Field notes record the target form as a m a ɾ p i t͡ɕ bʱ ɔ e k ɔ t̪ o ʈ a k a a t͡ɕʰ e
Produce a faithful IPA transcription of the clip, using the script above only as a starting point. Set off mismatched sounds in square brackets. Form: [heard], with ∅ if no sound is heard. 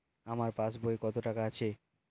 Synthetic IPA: a m a ɾ p [a] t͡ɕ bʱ [o] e k ɔ t̪ o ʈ a k a a t͡ɕʰ e